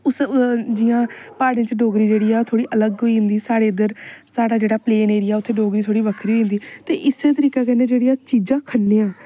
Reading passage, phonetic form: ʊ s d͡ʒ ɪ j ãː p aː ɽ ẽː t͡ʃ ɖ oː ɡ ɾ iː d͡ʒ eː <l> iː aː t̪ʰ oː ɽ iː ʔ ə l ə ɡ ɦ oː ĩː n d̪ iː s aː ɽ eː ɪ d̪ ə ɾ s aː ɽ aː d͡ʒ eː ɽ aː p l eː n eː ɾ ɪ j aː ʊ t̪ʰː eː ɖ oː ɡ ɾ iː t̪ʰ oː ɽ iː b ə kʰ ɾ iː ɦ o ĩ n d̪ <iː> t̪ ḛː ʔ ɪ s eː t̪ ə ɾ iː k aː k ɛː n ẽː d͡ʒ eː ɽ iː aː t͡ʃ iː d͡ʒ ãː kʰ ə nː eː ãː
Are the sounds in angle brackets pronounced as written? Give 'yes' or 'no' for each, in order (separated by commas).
no, yes